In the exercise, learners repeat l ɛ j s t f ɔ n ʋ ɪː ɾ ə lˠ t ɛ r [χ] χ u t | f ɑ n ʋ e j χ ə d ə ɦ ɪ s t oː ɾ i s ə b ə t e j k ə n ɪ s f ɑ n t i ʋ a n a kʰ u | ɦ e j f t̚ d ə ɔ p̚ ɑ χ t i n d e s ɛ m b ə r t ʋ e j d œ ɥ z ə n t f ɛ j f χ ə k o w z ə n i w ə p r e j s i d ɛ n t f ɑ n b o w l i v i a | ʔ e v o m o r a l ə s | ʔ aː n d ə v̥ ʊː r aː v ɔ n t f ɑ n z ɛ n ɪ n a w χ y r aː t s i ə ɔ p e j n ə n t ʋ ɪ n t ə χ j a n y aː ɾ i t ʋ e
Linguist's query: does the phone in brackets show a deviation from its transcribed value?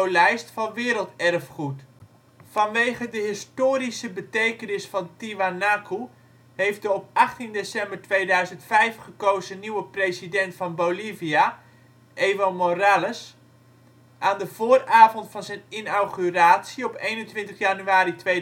yes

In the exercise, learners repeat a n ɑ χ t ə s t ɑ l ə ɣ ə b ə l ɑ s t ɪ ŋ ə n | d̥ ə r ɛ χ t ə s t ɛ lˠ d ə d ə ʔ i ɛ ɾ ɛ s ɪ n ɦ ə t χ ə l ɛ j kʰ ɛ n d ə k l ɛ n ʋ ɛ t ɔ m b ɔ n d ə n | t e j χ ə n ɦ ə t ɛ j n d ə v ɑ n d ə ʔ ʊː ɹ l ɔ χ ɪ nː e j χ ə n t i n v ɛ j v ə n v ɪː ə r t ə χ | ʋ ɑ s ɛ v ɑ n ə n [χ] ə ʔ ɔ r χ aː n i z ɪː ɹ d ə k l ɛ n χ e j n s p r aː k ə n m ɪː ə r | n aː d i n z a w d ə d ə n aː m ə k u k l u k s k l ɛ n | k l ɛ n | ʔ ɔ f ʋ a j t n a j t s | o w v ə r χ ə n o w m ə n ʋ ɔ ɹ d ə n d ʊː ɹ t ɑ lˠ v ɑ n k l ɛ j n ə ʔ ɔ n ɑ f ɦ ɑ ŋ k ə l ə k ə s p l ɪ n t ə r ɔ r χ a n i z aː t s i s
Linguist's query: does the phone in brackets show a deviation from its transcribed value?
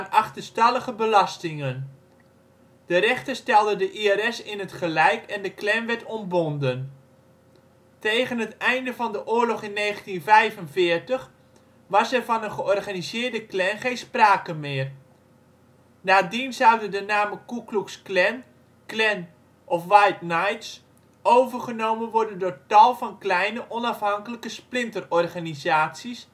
no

